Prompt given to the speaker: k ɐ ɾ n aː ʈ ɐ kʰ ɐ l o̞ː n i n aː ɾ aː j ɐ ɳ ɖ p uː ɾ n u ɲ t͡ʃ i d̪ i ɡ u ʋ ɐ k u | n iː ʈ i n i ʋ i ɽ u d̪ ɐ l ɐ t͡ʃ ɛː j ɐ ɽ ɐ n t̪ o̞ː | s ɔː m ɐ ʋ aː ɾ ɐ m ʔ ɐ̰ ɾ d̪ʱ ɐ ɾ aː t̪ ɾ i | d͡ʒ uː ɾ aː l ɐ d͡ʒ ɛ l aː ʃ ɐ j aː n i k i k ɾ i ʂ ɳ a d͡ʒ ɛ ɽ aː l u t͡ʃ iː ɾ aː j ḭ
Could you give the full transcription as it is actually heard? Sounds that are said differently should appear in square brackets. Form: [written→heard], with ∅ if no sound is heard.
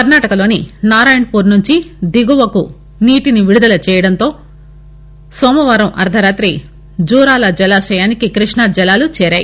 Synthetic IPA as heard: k ɐ ɾ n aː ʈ ɐ [kʰ→k] ɐ l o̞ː n i n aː ɾ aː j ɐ ɳ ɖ p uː ɾ n u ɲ t͡ʃ i d̪ i ɡ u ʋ ɐ k u | n iː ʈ i n i ʋ i ɽ u d̪ ɐ l ɐ t͡ʃ ɛː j ɐ ɽ ɐ n t̪ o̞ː | s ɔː m ɐ ʋ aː ɾ ɐ m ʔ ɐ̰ ɾ d̪ʱ ɐ ɾ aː t̪ ɾ i | d͡ʒ uː ɾ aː l ɐ d͡ʒ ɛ l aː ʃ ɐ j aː n i k i k ɾ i ʂ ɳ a d͡ʒ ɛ [ɽ→l] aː l u t͡ʃ [iː→ɛː] ɾ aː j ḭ